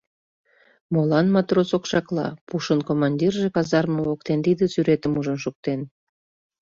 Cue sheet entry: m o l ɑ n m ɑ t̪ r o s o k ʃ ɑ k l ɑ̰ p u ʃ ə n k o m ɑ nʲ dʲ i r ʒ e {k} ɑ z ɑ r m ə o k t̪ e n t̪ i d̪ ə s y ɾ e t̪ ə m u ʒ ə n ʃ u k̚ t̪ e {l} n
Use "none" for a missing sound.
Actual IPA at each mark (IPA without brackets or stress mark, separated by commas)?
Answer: k, none